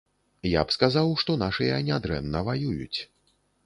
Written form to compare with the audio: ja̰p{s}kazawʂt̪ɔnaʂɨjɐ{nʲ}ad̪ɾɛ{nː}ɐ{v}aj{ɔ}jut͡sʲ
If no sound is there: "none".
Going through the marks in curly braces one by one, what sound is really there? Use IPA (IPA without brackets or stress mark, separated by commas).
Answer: s, nʲ, nː, v, u